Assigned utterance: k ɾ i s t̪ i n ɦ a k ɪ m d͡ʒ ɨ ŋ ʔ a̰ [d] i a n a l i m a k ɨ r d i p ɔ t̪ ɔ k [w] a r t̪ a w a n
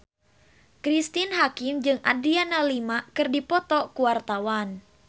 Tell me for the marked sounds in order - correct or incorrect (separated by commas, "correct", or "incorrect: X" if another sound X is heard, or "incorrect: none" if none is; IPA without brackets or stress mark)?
correct, incorrect: u